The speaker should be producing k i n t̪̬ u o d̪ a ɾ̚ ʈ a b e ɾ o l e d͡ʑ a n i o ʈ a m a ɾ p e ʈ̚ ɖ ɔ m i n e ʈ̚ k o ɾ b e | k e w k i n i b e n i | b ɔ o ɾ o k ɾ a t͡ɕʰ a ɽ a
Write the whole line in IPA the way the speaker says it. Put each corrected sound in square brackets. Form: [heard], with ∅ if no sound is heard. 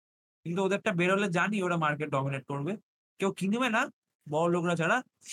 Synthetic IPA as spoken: k i n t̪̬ u o d̪ [e] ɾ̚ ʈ a b e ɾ o l e d͡ʑ a n i o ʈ a m a ɾ [k] e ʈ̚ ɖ ɔ m i n e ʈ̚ k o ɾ b e | k e w k i n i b e n [a] | b ɔ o [l] o k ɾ a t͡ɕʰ a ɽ a